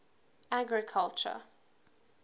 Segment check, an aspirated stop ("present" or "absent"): present